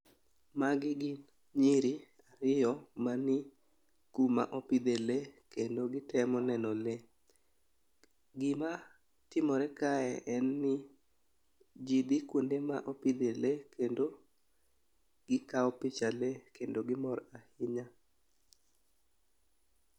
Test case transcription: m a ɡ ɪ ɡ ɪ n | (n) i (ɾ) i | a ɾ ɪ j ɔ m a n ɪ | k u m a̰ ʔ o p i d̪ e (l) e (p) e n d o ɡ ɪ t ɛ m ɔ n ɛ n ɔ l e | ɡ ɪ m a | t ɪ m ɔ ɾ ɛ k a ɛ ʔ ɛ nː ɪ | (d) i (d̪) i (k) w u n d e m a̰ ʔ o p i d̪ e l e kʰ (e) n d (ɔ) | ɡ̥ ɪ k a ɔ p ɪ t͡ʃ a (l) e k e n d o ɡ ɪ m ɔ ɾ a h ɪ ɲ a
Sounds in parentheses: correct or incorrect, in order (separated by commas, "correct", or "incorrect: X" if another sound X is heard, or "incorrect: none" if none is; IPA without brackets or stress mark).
incorrect: ɲ, correct, correct, incorrect: k, incorrect: d͡ʒ, correct, correct, correct, incorrect: o, correct